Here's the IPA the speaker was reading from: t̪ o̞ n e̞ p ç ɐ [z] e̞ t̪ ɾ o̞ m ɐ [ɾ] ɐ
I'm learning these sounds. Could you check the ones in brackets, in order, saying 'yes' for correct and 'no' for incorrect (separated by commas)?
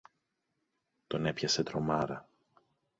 no, yes